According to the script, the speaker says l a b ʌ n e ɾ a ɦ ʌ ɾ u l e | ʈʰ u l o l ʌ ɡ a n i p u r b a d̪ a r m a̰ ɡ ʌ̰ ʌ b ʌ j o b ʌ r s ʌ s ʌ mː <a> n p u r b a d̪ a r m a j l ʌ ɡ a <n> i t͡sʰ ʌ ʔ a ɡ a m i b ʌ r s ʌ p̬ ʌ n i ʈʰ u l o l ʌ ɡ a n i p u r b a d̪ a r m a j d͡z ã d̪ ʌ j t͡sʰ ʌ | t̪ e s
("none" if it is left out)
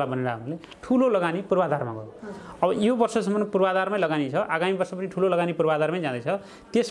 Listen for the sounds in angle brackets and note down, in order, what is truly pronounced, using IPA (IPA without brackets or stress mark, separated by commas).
ʌ, n